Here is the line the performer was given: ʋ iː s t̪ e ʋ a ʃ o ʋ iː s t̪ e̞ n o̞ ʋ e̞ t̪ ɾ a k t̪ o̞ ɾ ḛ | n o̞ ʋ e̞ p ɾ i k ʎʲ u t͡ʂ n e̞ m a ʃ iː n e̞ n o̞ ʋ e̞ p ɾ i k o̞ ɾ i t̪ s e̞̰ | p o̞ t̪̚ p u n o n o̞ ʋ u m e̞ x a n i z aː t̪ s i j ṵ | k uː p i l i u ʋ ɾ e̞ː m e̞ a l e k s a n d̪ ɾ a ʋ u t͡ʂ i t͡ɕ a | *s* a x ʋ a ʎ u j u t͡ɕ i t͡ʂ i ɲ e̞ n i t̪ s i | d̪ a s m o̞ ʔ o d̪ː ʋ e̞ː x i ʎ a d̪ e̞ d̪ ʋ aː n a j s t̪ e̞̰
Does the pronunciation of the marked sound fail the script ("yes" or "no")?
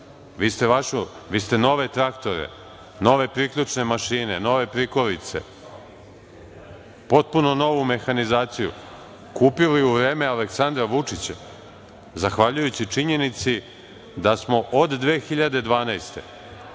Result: yes